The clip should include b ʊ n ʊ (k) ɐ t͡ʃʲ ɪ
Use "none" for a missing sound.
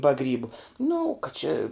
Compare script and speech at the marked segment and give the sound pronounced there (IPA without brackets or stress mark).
k